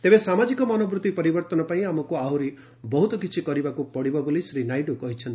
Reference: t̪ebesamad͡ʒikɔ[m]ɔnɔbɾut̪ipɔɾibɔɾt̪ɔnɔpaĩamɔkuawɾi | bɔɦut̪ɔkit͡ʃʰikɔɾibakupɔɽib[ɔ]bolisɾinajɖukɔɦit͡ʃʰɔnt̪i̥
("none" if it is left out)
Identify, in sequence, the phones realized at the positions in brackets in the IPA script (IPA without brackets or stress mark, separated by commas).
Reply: m, ɔ